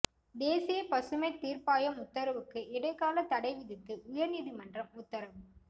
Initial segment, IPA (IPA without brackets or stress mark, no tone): d̪